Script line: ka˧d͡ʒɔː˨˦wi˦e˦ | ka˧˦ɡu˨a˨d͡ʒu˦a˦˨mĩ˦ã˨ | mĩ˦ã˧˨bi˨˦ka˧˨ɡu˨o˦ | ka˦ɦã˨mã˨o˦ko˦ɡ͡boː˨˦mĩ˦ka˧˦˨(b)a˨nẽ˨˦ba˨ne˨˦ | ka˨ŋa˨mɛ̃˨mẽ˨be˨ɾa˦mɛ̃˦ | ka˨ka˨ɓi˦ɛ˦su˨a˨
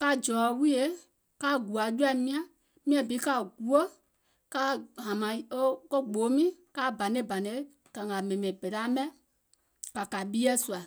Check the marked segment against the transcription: correct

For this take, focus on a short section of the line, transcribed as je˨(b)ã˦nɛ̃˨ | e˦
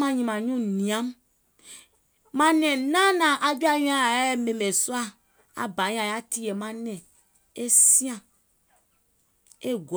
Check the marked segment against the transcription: incorrect: m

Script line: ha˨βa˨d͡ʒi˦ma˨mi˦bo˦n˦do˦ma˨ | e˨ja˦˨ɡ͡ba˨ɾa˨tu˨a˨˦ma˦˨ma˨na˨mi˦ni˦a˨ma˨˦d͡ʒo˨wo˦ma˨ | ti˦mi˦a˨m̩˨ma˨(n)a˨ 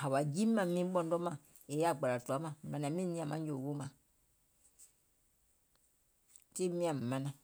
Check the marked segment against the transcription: correct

